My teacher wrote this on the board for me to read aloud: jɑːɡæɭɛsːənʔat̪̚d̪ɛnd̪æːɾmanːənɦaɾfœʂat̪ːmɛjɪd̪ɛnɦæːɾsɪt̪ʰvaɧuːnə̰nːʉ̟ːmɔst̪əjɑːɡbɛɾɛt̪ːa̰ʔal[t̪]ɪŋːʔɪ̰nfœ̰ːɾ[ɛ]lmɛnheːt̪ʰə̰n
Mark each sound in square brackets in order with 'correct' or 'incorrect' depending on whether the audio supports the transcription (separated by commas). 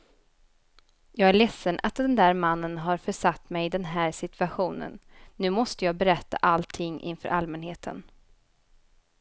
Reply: incorrect, incorrect